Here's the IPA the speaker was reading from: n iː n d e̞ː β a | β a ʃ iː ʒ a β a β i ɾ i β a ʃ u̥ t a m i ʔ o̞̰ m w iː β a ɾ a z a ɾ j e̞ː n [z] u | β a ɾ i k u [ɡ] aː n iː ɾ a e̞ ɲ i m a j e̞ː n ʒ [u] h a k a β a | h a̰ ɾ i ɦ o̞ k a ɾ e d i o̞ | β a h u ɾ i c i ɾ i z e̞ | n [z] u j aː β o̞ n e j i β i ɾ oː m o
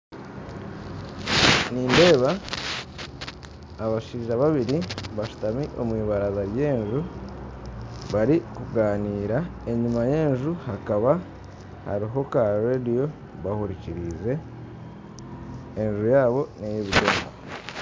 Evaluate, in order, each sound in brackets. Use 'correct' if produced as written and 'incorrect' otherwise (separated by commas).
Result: incorrect, correct, correct, incorrect